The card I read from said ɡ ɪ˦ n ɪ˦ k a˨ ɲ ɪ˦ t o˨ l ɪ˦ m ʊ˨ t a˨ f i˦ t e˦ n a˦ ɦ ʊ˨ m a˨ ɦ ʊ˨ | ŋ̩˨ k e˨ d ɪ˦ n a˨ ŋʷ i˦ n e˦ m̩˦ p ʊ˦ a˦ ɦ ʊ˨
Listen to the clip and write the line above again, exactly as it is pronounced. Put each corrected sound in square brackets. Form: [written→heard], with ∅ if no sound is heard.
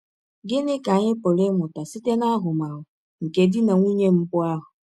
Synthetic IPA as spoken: ɡ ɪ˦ n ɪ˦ k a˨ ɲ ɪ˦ [t→p] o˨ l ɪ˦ m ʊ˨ t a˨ [f→s] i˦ t e˦ n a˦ ɦ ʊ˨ m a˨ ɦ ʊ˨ | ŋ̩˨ k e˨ d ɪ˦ n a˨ ŋʷ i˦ [n→ɲ] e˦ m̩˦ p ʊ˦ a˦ ɦ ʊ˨